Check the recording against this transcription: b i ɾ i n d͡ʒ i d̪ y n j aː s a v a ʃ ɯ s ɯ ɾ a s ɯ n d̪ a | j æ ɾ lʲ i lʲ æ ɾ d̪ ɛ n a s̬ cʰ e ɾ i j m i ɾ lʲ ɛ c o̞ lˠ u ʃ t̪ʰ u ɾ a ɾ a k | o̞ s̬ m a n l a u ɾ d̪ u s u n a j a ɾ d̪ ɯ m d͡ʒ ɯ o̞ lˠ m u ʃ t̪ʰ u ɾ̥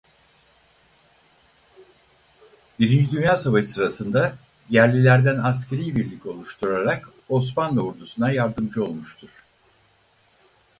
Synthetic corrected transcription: b i ɾ i n d͡ʒ i d̪ y n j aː s a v a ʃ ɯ s ɯ ɾ a s ɯ n d̪ a | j æ ɾ lʲ i lʲ æ ɾ d̪ æ n a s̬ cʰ e ɾ i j b i ɾ lʲ i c o̞ lˠ u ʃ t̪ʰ u ɾ a ɾ a k | o̞ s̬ m a n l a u ɾ d̪ u s u n a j a ɾ d̪ ɯ m d͡ʒ ɯ o̞ lˠ m u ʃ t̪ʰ u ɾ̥